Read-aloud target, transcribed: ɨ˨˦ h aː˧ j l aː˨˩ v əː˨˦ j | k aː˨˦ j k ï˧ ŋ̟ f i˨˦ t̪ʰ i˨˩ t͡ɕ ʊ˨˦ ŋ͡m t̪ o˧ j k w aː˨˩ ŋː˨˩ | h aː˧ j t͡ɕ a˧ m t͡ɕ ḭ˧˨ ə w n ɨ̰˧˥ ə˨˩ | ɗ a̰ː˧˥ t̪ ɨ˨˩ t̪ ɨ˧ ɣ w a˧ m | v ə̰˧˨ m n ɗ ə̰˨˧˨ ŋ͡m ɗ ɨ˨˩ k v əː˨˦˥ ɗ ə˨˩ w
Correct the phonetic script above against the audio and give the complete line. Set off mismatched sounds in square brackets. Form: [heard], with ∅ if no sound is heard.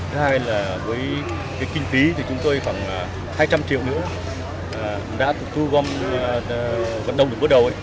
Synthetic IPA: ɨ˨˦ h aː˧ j l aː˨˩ v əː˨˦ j | k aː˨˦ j k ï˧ ŋ̟ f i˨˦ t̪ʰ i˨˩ t͡ɕ ʊ˨˦ ŋ͡m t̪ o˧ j [x] w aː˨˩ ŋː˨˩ | h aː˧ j t͡ɕ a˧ m t͡ɕ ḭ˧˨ ə w n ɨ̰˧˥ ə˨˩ | ɗ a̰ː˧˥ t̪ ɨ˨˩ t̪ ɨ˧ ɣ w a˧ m | v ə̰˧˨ [∅] n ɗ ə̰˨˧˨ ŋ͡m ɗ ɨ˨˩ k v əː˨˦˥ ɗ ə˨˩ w